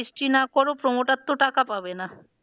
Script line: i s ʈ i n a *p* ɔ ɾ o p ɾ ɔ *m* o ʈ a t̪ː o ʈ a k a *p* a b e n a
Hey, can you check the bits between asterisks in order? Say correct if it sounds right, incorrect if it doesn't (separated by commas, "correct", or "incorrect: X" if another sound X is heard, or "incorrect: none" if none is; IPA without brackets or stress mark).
incorrect: k, correct, correct